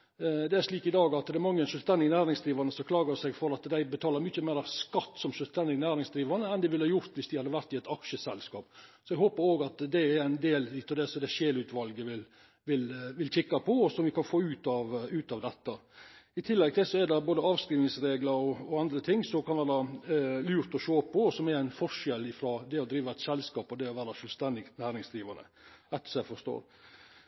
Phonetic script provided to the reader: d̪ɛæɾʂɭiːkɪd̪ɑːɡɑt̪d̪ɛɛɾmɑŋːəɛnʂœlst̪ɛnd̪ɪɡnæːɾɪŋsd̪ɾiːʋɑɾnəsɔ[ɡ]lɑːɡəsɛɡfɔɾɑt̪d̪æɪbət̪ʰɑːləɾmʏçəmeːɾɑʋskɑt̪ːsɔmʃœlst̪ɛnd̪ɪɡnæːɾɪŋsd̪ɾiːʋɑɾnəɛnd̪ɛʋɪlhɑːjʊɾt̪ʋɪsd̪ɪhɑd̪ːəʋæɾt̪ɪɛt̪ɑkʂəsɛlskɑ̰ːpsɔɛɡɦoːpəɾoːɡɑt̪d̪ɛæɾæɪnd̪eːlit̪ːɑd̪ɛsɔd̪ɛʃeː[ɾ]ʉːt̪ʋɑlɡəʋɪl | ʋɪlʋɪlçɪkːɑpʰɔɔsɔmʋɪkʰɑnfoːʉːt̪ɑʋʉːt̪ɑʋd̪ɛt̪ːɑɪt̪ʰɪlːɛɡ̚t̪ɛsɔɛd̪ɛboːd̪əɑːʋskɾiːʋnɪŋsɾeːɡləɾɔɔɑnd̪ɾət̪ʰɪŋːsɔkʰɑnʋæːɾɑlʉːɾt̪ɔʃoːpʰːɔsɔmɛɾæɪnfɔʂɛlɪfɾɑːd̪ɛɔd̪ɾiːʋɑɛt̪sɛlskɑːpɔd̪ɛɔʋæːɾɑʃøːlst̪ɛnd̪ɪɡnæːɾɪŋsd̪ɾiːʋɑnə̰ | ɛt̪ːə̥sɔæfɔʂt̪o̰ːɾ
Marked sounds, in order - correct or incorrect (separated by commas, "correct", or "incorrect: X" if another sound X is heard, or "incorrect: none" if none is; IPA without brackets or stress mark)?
incorrect: k, incorrect: l